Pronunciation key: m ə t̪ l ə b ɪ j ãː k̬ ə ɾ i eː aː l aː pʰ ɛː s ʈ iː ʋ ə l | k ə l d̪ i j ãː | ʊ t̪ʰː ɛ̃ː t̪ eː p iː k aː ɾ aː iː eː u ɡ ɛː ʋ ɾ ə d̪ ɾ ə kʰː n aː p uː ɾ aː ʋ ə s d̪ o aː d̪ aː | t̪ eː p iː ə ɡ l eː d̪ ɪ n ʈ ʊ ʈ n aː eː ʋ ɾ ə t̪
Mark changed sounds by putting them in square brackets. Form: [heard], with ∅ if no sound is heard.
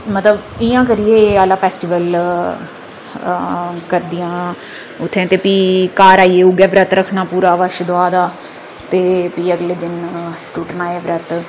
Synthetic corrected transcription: m ə t̪ l ə b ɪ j ãː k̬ ə ɾ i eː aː l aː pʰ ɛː s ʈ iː ʋ ə l | k ə [ɾ] d̪ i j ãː | ʊ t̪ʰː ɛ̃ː t̪ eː p iː k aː ɾ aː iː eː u ɡ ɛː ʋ ɾ ə [t̪] ɾ ə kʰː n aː p uː ɾ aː ʋ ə [ʃ] d̪ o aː d̪ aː | t̪ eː p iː ə ɡ l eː d̪ ɪ n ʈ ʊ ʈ n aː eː ʋ ɾ ə t̪